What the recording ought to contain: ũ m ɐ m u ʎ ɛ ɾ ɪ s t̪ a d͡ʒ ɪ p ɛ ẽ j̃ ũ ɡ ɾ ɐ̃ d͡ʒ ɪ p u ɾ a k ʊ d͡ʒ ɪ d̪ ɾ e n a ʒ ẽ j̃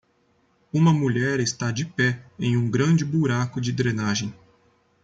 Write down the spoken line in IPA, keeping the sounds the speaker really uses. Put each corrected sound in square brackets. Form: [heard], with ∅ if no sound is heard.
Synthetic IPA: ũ m ɐ m u ʎ ɛ ɾ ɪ s t̪ a d͡ʒ ɪ p ɛ ẽ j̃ ũ ɡ ɾ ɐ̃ d͡ʒ ɪ [b] u ɾ a k ʊ d͡ʒ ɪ d̪ ɾ e n a ʒ ẽ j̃